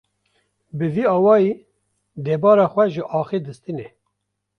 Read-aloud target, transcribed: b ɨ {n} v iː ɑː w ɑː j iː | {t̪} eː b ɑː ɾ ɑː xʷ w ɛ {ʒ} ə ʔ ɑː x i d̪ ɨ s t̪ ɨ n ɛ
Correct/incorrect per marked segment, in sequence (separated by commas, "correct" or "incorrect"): incorrect, incorrect, correct